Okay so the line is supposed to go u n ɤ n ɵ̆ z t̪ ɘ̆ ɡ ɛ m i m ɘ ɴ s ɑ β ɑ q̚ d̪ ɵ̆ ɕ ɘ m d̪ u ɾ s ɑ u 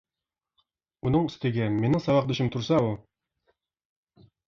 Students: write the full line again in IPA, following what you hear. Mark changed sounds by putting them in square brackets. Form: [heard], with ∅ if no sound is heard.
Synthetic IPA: u n ɤ [ɴ] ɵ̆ [s] t̪ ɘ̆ ɡ [æ] m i [n] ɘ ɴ s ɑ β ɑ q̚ d̪ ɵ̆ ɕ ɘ m [t̪] u ɾ s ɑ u